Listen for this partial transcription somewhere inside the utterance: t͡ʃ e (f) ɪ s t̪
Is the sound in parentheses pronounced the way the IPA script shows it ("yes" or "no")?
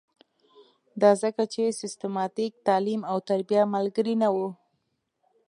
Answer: no